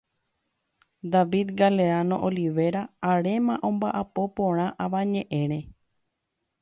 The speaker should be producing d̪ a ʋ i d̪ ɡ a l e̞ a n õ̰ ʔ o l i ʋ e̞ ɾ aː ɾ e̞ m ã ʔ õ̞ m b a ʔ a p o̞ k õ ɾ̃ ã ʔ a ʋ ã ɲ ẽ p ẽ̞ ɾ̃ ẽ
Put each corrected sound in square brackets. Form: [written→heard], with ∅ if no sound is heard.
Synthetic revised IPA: d̪ a ʋ i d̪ ɡ a l e̞ a n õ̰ ʔ o l i ʋ e̞ ɾ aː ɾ e̞ m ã ʔ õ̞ m b a ʔ a p o̞ [k→p] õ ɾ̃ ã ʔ a ʋ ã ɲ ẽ [p→ʔ] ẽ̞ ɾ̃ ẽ